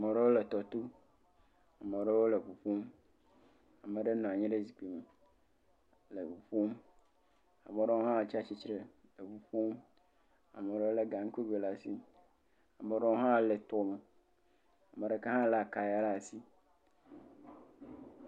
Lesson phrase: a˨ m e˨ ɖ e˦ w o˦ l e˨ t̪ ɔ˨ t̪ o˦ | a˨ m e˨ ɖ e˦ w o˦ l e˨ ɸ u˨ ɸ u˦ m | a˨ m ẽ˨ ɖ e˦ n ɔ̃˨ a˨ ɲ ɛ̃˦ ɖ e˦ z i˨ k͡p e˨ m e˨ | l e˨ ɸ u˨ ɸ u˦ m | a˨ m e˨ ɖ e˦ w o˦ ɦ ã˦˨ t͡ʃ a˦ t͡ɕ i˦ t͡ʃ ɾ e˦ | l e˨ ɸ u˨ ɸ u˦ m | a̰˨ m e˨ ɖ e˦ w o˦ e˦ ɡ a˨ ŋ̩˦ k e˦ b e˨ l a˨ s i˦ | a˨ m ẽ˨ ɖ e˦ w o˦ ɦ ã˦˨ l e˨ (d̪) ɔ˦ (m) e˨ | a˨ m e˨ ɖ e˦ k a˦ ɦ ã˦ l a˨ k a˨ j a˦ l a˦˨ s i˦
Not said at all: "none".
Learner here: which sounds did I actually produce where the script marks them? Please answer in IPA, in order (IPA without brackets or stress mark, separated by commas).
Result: t̪, m